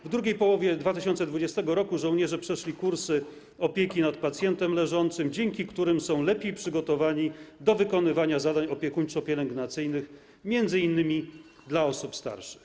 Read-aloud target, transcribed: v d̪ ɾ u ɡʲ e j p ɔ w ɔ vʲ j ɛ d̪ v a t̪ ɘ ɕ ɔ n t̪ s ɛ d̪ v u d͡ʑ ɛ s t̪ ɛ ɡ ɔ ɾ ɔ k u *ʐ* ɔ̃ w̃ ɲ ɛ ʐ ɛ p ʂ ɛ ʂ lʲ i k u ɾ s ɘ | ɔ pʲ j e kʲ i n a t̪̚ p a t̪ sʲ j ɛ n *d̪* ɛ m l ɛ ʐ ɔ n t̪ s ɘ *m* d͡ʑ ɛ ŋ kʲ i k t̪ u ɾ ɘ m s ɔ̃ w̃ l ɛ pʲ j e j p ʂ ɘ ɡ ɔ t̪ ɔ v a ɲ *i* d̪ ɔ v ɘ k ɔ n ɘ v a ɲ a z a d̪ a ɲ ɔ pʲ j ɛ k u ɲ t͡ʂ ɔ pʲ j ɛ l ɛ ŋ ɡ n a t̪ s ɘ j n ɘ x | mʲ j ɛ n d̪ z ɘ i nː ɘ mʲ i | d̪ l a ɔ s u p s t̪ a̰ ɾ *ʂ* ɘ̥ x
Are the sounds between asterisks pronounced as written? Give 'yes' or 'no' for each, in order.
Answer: yes, no, yes, yes, yes

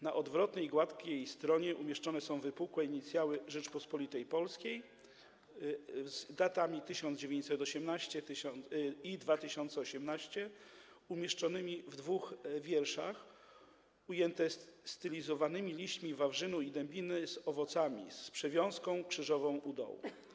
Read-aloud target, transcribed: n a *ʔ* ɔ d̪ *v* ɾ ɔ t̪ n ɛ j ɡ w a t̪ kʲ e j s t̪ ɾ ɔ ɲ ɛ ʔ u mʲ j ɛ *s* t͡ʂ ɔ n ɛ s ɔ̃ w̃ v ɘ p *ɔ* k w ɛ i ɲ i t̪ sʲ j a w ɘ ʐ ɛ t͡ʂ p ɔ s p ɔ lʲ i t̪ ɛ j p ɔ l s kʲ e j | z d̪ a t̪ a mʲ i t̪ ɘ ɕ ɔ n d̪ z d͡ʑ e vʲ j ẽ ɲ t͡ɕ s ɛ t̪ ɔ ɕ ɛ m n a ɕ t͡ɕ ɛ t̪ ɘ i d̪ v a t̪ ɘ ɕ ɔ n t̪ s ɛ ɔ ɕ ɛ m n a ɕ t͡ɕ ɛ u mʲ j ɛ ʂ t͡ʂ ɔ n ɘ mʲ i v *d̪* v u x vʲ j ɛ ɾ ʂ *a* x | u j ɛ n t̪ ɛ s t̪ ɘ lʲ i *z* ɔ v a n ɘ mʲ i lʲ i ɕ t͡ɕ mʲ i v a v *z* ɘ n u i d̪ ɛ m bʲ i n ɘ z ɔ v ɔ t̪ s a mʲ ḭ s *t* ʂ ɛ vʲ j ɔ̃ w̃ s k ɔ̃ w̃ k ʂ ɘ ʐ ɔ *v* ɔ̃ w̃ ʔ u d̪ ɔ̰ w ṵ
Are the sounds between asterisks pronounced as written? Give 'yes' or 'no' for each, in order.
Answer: yes, yes, no, no, yes, yes, yes, no, no, yes

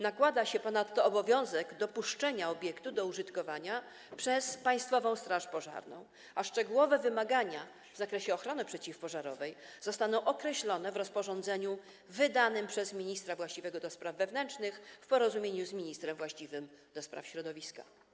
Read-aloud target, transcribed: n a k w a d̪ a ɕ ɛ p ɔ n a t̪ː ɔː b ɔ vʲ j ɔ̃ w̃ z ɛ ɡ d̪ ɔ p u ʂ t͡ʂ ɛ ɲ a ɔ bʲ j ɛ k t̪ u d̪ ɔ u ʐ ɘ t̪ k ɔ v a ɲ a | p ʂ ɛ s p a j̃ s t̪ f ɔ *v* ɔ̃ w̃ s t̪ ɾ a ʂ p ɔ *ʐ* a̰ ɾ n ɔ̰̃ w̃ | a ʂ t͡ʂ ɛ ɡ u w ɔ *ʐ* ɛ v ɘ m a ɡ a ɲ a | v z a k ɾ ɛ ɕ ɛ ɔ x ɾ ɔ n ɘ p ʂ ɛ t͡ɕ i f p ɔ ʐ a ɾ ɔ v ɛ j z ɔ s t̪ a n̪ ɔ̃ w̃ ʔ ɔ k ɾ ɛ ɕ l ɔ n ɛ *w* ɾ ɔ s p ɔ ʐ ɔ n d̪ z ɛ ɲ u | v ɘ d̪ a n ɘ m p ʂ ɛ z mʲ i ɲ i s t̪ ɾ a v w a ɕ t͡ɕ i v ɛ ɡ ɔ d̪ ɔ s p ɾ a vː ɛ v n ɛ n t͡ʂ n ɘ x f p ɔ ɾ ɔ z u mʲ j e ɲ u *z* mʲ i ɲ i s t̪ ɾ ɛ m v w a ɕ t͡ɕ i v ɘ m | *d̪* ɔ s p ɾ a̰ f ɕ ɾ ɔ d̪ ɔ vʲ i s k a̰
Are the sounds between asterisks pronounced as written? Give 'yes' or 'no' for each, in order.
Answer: yes, yes, no, no, yes, yes

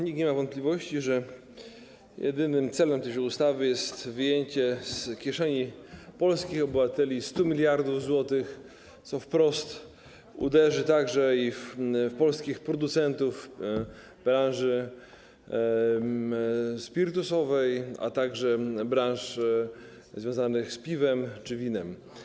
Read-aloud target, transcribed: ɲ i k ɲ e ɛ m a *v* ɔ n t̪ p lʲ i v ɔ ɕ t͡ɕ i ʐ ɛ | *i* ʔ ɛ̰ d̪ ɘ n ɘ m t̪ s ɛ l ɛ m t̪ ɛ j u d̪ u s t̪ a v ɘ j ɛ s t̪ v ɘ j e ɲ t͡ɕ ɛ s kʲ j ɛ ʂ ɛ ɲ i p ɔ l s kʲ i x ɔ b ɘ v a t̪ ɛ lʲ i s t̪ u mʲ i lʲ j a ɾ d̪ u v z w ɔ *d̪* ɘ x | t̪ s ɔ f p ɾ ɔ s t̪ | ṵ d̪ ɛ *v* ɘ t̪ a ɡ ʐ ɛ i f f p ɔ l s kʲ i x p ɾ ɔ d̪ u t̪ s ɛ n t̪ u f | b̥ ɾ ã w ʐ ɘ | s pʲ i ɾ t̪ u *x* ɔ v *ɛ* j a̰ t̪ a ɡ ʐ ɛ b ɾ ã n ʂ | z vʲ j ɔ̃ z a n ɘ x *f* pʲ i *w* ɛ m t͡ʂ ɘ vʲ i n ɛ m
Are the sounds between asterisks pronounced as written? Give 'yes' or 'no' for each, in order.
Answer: yes, no, no, no, no, yes, no, no

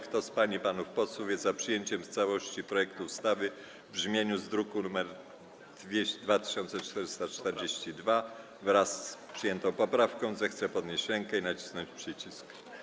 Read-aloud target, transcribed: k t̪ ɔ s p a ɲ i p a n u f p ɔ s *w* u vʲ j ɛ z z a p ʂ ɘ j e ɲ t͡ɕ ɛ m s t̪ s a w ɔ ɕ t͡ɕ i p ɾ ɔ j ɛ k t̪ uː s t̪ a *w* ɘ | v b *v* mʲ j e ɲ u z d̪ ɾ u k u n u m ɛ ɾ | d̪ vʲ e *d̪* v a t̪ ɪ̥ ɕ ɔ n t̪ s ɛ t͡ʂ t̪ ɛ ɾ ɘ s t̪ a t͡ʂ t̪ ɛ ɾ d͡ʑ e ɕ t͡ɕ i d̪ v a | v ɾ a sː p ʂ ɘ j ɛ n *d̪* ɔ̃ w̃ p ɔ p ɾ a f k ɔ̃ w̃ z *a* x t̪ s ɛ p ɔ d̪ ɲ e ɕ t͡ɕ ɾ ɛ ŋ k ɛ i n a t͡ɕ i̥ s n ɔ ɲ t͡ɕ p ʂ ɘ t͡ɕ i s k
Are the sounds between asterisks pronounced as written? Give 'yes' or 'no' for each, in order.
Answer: yes, no, no, yes, no, no

